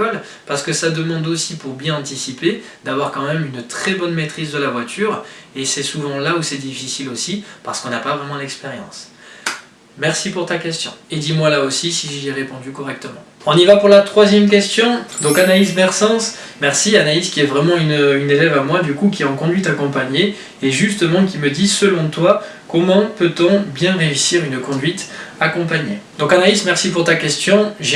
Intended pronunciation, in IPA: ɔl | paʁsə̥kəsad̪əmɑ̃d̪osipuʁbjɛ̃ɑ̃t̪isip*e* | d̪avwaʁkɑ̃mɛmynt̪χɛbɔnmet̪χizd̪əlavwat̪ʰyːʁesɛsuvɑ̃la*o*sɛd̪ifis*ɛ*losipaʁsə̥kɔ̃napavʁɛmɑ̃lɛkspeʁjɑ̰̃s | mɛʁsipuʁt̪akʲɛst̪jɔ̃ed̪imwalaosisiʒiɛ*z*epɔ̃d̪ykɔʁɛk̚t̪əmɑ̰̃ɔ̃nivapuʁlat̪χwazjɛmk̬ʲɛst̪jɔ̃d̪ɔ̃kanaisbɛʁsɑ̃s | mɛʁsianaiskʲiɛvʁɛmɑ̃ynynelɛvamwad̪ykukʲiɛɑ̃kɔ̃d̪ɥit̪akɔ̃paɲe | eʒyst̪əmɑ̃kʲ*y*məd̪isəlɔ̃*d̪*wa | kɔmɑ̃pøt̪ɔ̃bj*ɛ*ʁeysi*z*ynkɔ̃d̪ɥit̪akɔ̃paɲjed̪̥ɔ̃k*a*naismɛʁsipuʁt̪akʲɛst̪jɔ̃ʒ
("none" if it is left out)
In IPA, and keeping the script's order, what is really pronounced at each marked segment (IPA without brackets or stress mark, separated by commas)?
e, u, i, ʁ, i, t̪, ɛ̃, ʁ, a